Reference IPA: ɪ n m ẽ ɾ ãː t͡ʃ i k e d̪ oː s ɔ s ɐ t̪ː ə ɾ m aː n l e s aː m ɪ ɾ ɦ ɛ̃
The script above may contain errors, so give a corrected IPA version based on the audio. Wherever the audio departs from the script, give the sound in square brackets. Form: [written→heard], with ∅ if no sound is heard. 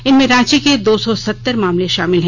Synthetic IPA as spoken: ɪ n m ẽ ɾ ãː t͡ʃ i k e d̪ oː s ɔ s ɐ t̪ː ə ɾ m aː [n→m] l e [s→ʃ] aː m ɪ [ɾ→l] ɦ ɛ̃